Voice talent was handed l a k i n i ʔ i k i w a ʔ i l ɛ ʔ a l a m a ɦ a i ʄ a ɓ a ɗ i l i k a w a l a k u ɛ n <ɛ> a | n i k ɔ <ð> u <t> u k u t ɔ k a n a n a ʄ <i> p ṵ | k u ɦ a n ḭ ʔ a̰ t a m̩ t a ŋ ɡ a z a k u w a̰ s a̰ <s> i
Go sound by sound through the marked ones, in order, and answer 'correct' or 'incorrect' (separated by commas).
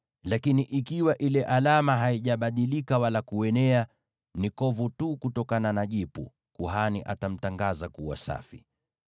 correct, incorrect, correct, correct, incorrect